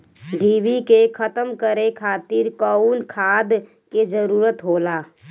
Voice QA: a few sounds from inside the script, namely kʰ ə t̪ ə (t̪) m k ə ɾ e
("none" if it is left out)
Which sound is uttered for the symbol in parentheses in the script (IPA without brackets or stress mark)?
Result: none